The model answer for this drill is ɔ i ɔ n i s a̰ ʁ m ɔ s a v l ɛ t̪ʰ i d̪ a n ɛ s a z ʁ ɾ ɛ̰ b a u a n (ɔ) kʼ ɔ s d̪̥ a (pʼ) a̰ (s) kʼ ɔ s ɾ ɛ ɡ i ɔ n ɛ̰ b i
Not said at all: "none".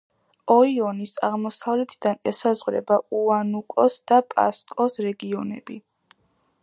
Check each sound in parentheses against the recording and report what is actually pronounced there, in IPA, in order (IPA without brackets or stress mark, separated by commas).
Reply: u, pʼ, s